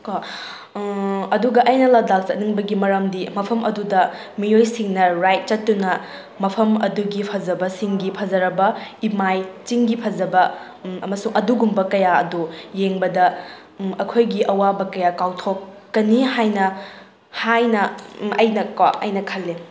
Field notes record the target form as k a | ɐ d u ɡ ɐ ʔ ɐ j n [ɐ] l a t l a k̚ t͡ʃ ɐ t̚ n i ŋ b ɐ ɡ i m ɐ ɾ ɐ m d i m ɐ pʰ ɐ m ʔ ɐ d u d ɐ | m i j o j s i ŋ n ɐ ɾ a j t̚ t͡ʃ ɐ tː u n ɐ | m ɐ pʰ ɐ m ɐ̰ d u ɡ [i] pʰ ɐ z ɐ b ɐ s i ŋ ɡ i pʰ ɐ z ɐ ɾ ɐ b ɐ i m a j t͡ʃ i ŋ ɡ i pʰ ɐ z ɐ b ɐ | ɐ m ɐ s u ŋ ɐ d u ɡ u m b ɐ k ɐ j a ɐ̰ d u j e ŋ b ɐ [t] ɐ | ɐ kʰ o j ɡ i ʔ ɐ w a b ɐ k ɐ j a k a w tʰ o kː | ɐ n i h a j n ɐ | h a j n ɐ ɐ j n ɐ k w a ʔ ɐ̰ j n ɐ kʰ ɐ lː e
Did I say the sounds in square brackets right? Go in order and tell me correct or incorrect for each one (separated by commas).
correct, correct, incorrect